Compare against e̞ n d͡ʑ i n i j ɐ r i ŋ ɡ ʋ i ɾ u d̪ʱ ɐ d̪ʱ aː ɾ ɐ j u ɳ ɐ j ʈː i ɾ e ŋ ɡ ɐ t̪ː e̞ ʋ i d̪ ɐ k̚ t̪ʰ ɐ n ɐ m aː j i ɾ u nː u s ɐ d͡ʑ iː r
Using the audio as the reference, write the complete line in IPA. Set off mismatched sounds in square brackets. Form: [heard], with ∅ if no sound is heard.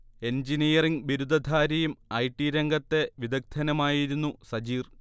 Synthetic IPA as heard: e̞ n d͡ʑ i n i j ɐ r i ŋ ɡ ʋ i ɾ u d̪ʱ ɐ d̪ʱ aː ɾ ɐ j u [m] ɐ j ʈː i ɾ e ŋ ɡ ɐ t̪ː e̞ ʋ i d̪ ɐ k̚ t̪ʰ ɐ n ɐ m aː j i ɾ u nː u s ɐ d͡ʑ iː r